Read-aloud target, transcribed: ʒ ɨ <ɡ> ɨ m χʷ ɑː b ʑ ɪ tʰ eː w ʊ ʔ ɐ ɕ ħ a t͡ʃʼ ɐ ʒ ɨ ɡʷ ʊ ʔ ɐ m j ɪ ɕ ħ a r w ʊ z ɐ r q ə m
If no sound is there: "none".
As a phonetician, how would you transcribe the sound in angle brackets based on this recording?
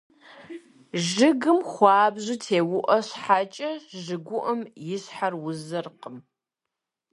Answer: ɡ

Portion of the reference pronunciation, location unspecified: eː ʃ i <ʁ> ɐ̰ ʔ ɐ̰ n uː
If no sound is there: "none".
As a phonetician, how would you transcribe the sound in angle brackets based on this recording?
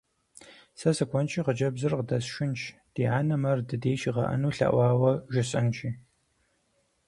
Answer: ʁ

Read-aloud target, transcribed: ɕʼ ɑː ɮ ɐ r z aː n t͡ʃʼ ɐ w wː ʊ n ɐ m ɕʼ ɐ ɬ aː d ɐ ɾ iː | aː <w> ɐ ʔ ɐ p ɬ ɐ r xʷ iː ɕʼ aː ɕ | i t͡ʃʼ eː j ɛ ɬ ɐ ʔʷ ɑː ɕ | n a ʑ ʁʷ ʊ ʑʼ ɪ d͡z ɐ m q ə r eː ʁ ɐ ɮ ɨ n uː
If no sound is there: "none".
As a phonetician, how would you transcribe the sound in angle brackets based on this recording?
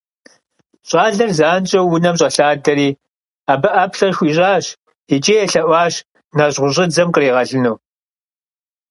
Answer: b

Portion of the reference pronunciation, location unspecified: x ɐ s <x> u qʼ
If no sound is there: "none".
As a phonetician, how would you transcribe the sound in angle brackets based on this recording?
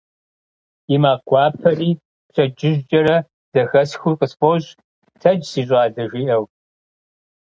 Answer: x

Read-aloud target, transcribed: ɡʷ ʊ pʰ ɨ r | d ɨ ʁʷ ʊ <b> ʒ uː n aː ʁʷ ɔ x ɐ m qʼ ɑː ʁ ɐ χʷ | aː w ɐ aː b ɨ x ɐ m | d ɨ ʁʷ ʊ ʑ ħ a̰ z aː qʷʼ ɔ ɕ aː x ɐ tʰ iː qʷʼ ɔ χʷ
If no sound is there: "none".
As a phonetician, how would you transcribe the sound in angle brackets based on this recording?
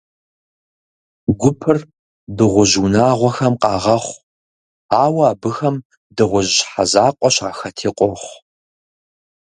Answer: none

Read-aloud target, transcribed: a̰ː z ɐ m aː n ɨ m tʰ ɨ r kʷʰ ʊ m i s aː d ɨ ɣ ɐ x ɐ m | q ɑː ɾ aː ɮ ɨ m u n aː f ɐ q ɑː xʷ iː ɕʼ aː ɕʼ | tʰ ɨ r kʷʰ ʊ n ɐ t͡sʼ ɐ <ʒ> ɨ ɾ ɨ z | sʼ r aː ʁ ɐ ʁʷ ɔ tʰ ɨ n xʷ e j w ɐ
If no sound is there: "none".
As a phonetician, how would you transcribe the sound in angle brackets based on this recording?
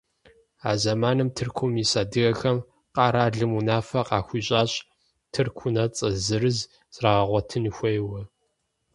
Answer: z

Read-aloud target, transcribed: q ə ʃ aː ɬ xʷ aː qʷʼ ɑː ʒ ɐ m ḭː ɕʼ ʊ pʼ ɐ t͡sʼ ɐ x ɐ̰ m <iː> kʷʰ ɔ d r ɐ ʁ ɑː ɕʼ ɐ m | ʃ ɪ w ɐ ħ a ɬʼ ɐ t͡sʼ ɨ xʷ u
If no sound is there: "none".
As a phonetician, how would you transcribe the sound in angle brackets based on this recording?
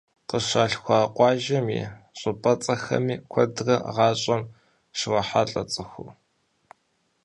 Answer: iː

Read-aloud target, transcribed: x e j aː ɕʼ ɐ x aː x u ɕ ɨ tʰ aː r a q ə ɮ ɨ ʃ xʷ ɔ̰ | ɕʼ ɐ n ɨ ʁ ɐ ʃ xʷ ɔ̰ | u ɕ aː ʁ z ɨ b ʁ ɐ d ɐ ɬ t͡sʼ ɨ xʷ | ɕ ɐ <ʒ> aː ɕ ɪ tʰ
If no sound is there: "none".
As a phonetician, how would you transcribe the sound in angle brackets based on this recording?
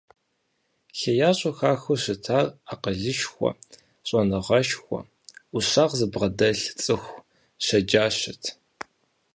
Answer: d͡ʒ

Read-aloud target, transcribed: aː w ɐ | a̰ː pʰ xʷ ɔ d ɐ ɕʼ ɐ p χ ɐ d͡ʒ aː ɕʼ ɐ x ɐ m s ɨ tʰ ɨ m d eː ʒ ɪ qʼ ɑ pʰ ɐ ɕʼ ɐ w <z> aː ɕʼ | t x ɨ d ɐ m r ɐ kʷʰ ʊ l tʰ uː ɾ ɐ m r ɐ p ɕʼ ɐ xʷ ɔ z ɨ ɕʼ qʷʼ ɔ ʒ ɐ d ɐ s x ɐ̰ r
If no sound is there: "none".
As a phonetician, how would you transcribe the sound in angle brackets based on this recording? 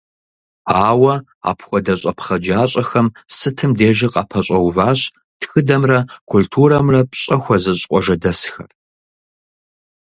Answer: v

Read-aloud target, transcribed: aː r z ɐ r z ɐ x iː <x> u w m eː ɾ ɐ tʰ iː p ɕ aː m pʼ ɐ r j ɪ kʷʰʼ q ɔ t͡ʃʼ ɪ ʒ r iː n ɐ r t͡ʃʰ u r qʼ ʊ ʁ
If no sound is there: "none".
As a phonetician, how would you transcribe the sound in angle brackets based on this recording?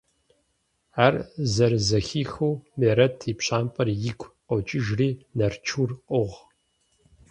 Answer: x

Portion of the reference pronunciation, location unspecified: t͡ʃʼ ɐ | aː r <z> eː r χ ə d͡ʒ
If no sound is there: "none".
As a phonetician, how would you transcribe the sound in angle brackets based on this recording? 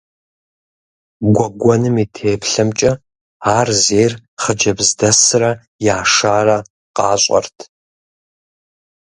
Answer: z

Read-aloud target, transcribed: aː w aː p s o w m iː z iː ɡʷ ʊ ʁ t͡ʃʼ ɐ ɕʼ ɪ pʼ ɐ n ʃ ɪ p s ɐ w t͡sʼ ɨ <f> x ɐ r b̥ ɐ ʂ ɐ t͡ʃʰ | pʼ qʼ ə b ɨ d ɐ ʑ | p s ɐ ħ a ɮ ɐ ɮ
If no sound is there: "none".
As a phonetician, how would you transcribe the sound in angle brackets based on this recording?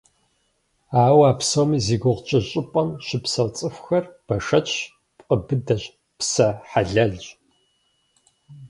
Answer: f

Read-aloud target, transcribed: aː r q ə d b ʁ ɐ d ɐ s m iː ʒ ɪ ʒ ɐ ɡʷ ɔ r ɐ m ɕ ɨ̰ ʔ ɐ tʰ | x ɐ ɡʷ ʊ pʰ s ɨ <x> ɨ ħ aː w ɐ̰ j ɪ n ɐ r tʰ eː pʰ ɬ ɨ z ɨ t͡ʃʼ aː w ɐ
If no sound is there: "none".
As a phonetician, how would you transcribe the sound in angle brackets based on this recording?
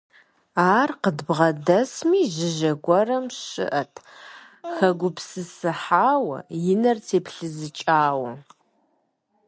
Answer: s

